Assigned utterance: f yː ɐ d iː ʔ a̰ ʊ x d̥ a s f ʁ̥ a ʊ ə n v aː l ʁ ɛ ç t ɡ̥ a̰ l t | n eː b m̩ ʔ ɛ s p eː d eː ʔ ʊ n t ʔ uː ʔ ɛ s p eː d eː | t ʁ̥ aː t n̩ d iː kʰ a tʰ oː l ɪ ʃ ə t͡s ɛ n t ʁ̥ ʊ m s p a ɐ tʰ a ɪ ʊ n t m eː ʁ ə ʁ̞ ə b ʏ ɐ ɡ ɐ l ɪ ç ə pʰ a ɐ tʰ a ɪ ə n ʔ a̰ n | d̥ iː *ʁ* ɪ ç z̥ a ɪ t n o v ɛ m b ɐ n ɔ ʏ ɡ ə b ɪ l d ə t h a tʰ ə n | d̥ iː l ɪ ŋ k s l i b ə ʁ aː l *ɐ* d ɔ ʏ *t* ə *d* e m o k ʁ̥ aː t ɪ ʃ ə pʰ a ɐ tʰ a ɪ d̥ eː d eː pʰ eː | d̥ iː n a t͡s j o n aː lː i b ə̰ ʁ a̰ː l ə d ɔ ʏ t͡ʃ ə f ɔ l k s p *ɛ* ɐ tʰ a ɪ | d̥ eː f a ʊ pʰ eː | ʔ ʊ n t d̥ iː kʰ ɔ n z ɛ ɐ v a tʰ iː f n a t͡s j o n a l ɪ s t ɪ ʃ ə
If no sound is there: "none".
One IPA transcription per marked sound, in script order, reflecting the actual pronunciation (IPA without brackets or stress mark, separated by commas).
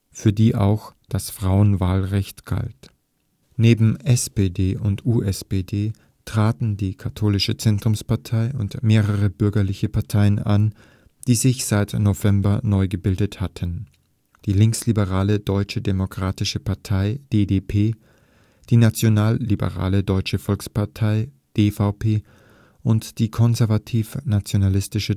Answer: z, ə, t͡ʃ, d, a